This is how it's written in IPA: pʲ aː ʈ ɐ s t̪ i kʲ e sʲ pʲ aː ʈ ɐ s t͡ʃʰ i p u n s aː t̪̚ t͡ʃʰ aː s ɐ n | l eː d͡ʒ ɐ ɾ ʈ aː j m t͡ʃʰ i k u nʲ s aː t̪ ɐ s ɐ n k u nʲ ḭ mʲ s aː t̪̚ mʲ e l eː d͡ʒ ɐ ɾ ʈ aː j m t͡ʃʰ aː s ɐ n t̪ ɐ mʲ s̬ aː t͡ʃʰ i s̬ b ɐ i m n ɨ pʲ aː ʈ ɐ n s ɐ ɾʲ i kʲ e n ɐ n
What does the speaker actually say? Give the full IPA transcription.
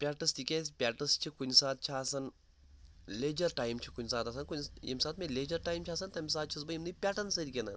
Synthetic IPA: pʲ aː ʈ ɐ s t̪ i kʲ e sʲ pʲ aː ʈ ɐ s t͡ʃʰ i k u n s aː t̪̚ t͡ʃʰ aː s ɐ n | l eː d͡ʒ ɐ ɾ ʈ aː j m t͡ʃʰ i k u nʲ s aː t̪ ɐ s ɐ n k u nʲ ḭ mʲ s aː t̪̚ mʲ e l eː d͡ʒ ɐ ɾ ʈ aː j m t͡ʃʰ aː s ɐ n t̪ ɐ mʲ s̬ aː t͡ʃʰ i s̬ b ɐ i m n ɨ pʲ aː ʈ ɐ n s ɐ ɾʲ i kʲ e n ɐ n

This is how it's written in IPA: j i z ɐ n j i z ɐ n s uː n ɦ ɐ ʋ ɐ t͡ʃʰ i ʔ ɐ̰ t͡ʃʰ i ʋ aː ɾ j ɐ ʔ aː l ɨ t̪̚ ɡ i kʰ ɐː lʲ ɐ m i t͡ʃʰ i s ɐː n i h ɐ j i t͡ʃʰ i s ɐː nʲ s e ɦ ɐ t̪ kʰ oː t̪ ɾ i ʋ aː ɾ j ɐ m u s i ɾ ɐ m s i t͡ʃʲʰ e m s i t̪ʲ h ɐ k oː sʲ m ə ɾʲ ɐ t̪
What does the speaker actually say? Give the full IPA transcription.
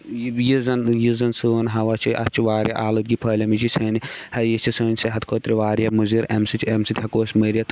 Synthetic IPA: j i z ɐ n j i z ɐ n s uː n ɦ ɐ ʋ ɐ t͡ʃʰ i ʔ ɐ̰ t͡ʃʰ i ʋ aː ɾ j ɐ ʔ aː l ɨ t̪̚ ɡ i pʰ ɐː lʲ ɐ m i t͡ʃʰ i s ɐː n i h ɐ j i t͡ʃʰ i s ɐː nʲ s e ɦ ɐ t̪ kʰ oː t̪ ɾ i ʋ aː ɾ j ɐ m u z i ɾ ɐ m s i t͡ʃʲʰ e m s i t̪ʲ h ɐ k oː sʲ m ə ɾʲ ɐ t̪

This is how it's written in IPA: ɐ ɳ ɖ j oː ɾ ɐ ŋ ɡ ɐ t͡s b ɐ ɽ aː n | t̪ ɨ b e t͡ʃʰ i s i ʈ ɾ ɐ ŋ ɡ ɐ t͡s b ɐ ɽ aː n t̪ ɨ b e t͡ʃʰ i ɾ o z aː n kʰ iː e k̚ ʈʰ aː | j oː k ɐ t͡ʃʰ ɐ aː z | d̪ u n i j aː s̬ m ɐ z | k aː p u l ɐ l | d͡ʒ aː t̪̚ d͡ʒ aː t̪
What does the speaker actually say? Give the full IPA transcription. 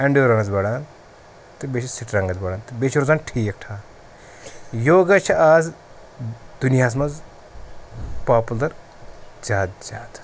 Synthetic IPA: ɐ ɳ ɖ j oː ɾ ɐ ŋ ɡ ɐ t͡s b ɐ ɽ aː n | t̪ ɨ b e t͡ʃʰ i s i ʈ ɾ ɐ ŋ ɡ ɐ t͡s b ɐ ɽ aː n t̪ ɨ b e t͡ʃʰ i ɾ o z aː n ʈʰ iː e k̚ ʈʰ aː | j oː ɡ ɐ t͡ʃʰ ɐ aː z | d̪ u n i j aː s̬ m ɐ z | p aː p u l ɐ ɾ | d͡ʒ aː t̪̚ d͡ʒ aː t̪

